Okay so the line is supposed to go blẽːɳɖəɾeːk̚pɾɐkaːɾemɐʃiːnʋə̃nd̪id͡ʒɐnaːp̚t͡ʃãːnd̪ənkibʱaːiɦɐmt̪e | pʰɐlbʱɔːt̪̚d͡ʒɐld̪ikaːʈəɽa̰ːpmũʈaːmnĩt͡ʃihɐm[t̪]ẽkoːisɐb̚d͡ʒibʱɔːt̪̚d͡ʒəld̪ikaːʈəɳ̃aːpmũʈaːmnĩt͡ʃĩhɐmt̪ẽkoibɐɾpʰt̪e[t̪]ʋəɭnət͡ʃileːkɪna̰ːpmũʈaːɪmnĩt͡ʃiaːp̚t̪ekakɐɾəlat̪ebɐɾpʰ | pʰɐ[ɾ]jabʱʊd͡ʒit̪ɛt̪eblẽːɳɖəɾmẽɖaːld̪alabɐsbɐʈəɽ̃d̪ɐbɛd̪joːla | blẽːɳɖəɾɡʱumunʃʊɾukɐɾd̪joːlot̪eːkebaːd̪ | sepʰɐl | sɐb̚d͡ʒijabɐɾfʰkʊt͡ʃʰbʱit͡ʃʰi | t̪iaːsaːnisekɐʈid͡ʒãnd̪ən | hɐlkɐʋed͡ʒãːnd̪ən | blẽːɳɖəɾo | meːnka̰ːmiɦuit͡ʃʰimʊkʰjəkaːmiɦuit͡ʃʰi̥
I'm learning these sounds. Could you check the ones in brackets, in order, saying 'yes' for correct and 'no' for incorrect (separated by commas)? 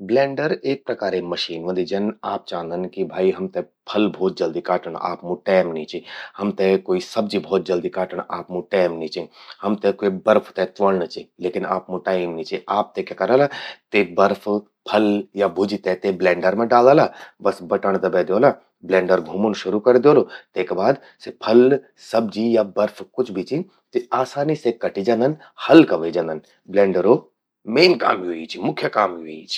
yes, yes, no